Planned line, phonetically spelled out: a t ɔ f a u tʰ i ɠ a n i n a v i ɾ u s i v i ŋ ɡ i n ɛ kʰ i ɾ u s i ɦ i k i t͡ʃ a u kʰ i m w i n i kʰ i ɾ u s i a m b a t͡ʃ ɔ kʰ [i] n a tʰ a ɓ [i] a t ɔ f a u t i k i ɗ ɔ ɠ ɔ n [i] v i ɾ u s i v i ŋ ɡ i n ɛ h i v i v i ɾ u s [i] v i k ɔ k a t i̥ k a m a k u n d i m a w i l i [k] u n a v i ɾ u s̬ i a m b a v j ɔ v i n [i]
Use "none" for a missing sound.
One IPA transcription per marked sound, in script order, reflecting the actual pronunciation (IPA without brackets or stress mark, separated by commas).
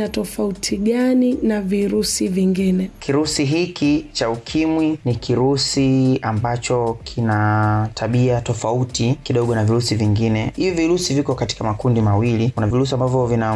i, i, a, i, k, a